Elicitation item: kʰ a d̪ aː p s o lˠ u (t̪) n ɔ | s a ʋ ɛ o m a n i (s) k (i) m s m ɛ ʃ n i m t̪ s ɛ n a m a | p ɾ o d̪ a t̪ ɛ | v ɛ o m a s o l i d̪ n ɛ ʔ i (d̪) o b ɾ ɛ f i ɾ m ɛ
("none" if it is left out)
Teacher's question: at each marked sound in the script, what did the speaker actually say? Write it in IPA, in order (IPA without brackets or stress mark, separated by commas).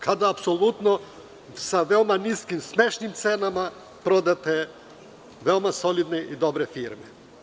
t̪, s, i, d̪